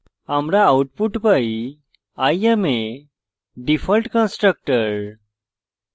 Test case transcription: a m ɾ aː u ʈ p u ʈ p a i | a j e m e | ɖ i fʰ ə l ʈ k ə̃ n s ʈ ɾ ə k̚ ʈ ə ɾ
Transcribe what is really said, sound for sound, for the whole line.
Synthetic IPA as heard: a m ɾ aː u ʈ p u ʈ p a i | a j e m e | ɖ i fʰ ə l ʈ k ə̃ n s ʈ ɾ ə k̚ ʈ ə ɾ